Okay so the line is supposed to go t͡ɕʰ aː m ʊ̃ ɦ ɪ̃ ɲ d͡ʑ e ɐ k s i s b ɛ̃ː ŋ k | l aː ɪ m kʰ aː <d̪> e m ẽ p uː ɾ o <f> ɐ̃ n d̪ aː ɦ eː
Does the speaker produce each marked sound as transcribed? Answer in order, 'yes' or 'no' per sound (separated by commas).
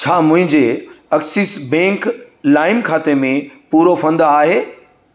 no, yes